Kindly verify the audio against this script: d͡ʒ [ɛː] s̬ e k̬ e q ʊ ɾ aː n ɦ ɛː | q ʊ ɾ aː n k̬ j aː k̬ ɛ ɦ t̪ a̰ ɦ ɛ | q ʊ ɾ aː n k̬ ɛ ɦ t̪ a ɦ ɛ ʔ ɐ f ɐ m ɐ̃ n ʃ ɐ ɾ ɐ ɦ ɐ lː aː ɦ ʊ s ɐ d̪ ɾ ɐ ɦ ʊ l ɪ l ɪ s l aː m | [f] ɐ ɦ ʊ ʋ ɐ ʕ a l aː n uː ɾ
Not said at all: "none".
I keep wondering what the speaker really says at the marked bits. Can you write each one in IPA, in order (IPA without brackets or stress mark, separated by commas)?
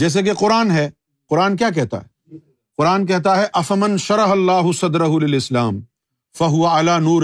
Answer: ɛː, f